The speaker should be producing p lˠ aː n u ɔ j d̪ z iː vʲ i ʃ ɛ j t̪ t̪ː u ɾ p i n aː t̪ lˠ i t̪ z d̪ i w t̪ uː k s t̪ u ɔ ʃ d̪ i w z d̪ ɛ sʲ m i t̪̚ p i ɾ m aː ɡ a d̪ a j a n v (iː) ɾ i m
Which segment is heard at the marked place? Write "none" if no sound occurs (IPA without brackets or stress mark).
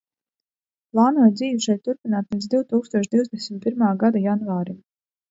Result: aː